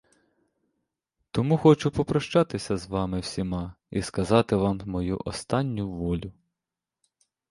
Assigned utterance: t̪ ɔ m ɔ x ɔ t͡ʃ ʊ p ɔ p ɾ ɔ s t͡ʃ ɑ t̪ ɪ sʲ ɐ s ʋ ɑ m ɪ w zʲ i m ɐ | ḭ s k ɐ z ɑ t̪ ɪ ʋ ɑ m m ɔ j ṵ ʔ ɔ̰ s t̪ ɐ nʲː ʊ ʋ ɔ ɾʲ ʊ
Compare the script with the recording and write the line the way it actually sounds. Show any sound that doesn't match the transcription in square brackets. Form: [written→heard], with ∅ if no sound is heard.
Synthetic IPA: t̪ ɔ m [ɔ→u] x ɔ t͡ʃ ʊ p ɔ p ɾ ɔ [s→ʃ] t͡ʃ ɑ t̪ ɪ sʲ ɐ [s→z] ʋ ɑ m ɪ w [zʲ→sʲ] i m [ɐ→ɑ] | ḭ s k ɐ z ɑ t̪ ɪ ʋ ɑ m m ɔ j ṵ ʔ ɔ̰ s t̪ [ɐ→ɑ] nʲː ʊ ʋ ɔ [ɾʲ→lʲ] ʊ